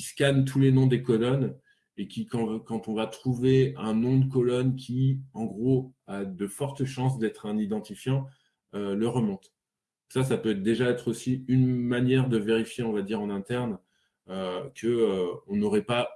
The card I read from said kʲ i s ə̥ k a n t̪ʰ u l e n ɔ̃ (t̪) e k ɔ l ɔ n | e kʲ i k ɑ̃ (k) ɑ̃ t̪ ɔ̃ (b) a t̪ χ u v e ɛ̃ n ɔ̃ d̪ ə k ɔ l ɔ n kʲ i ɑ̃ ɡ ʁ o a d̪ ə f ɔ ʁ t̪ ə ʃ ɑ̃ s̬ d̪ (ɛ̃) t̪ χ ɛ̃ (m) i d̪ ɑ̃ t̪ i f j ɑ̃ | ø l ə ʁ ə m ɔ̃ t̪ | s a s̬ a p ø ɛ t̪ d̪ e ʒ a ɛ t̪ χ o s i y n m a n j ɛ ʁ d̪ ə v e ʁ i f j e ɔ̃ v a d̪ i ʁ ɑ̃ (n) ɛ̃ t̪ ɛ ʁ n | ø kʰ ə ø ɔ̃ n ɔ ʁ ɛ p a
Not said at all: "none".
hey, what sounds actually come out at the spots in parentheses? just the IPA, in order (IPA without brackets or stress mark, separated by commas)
d̪, k, v, ɛ, n, n